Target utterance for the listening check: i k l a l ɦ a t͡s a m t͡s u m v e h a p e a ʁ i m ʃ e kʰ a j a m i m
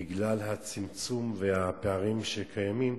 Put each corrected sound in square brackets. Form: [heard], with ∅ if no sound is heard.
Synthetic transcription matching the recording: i [ɡ] l a l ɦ a t͡s [i] m t͡s u m v e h a p e a ʁ i m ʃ e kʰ a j a m i m